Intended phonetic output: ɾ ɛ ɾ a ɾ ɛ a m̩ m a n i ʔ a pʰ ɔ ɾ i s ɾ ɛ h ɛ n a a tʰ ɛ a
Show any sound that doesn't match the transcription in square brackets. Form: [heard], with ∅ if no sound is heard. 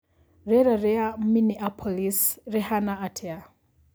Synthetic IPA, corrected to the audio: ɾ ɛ ɾ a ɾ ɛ a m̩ m [i] n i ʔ a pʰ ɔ [l] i s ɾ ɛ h [a] n a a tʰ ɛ a